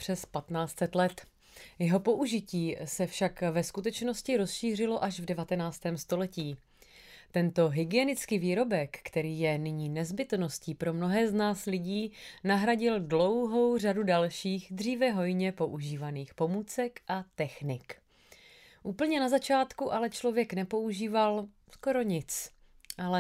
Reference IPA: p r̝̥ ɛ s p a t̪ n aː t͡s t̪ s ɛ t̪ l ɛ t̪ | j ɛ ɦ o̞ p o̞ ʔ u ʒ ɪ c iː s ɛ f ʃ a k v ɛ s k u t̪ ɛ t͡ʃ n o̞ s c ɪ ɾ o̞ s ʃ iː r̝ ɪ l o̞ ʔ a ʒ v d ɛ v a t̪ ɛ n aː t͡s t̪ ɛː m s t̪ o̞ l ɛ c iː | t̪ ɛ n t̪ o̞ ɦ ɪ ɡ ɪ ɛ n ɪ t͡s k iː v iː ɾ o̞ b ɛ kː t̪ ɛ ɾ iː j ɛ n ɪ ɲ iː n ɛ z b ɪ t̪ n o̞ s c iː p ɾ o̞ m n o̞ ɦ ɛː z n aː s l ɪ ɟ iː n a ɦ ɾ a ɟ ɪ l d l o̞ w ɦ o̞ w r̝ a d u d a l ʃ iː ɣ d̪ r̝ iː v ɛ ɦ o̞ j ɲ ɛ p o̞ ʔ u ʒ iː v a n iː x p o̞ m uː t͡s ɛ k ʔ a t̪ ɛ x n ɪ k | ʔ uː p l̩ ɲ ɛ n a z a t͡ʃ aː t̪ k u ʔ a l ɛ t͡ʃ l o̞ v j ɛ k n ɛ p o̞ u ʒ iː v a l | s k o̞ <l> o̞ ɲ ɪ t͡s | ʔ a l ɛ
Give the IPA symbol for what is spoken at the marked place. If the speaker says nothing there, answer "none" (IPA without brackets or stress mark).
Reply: ɾ